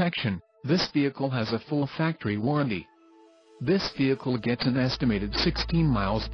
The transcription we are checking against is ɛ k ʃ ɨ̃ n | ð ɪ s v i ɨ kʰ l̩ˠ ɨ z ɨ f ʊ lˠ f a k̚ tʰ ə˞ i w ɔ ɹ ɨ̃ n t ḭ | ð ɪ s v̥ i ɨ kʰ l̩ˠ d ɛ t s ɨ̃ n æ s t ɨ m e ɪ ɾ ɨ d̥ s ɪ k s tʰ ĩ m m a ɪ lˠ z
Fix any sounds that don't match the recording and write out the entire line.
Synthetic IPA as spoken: ɛ k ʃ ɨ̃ n | ð ɪ s v i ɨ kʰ l̩ˠ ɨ z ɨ f ʊ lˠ f æ k̚ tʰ ə˞ i w ɔ ɹ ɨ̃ n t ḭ | ð ɪ s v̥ i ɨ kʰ l̩ˠ ɡ ɛ t s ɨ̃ n ɛ s t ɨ m e ɪ ɾ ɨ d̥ s ɪ k s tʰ ĩ n m a ɪ lˠ z